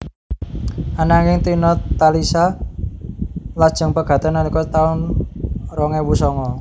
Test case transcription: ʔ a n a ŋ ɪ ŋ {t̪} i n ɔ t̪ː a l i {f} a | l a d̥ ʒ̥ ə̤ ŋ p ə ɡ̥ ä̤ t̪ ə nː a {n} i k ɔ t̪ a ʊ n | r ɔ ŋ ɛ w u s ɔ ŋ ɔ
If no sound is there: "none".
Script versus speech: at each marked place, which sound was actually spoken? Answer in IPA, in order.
t̪, s, n

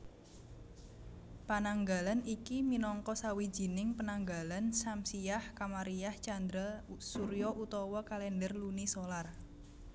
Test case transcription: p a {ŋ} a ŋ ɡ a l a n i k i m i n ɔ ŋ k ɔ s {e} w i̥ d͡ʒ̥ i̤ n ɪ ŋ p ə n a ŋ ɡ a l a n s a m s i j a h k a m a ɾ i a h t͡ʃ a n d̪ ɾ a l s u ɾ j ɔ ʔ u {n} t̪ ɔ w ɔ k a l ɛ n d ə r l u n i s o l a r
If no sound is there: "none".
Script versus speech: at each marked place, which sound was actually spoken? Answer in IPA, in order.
n, a, none

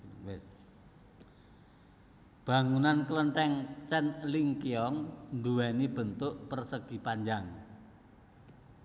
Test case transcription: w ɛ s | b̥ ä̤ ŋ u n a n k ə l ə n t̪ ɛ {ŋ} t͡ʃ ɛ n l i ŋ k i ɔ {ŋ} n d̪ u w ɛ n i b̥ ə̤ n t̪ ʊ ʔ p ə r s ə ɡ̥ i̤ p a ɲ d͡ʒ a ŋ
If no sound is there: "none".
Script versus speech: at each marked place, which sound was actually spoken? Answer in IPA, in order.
ŋ, ŋ

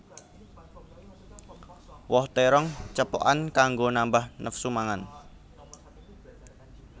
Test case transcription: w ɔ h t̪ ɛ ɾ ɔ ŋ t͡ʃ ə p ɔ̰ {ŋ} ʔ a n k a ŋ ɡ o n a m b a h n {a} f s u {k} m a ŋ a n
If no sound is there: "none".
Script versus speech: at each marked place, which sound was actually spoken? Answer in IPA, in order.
none, ə, none

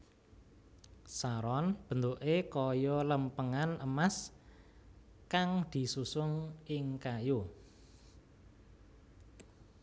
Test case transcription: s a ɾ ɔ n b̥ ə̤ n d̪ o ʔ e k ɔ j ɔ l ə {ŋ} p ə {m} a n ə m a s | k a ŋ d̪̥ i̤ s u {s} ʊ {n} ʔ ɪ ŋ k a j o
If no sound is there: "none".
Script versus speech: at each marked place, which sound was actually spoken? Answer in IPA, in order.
m, ŋ, s, ŋ

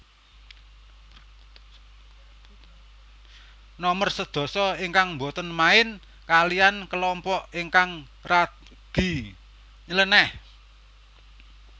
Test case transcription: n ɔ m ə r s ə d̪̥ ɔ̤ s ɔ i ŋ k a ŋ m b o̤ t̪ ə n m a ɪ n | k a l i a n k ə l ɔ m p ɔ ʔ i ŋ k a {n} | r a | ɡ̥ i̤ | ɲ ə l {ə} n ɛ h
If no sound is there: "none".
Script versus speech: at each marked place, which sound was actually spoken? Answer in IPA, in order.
ŋ, ə

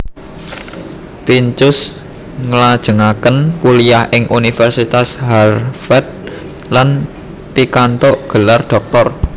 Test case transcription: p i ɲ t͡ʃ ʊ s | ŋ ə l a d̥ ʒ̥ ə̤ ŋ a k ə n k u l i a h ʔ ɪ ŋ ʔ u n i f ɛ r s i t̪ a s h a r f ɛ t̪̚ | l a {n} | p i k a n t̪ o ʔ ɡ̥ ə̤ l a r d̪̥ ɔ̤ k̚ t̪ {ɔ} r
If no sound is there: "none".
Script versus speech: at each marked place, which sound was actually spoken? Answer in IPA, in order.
n, ɔ

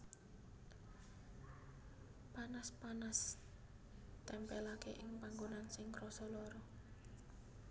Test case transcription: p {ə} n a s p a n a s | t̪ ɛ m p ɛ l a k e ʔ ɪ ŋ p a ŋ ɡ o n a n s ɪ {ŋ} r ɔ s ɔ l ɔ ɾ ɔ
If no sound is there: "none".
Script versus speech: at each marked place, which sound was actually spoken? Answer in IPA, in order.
a, ŋ

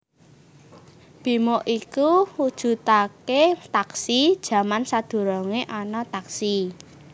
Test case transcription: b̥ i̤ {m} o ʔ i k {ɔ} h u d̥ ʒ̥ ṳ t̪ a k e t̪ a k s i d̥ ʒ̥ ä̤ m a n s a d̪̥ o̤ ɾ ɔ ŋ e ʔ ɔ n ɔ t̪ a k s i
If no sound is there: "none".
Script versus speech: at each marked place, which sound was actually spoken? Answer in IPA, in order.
m, u

